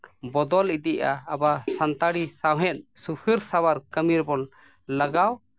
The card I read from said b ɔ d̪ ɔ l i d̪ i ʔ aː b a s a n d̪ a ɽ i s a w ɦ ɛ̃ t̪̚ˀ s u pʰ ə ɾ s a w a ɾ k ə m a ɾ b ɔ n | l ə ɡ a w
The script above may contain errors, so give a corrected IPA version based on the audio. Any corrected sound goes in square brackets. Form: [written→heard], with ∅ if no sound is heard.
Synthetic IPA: b ɔ d̪ ɔ l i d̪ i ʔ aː b a s a n [d̪→t̪] a ɽ i s a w ɦ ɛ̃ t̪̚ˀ s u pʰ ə ɾ s a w a ɾ k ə m [a→i] ɾ b ɔ n | l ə ɡ a w